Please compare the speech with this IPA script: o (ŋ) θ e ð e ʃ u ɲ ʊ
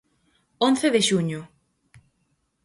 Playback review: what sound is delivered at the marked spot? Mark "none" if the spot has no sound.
n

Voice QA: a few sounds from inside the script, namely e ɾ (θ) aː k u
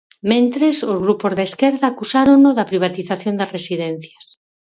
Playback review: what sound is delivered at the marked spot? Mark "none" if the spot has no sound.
ð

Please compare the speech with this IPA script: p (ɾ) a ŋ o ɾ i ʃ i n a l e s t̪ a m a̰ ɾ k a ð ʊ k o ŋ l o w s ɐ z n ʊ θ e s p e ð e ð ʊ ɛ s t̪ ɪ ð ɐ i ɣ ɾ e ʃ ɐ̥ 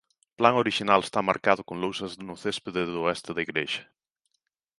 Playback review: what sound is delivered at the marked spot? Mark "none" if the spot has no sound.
l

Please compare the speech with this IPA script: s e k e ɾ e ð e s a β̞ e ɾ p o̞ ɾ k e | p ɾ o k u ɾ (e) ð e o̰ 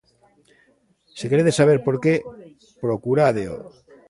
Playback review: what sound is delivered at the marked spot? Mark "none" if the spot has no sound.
a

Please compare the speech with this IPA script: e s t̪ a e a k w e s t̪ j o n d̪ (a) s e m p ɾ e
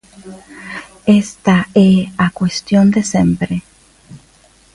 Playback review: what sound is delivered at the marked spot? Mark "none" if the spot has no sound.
e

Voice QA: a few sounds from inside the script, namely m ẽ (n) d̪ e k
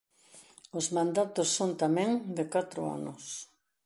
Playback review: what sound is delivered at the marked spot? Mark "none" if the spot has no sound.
ŋ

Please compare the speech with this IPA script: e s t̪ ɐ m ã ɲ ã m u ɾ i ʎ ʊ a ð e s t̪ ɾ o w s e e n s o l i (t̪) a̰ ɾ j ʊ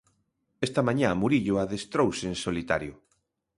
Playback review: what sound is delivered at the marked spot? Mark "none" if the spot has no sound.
t̪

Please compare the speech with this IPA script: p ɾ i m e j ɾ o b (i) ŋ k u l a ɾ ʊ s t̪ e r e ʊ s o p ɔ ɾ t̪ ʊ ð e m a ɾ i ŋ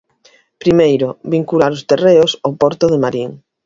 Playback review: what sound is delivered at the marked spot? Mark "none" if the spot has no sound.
i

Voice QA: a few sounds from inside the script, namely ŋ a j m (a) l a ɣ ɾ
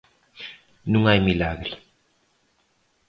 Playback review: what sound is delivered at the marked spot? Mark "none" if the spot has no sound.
i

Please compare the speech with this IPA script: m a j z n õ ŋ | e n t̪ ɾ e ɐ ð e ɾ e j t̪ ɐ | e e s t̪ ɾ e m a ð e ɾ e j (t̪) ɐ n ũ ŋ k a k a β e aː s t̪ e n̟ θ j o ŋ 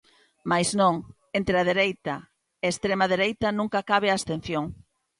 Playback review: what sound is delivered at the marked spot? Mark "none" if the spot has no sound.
t̪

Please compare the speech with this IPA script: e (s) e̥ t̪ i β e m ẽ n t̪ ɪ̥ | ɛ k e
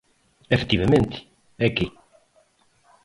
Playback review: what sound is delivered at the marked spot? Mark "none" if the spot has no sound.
f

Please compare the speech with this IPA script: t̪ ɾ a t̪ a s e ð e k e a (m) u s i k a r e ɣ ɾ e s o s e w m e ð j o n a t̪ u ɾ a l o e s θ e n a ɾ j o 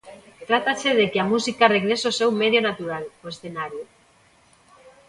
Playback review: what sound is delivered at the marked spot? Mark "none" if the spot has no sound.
m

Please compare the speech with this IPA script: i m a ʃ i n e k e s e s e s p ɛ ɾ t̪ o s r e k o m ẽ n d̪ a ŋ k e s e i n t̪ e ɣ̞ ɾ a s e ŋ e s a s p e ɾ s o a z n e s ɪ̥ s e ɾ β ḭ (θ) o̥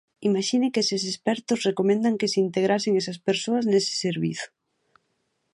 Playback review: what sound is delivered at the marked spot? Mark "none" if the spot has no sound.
θ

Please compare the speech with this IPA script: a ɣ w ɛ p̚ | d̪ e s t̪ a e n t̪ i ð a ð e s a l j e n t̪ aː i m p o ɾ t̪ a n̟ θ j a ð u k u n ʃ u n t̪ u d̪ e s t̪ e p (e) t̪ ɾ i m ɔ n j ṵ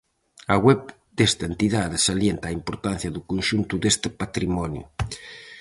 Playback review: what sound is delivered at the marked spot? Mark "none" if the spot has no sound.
a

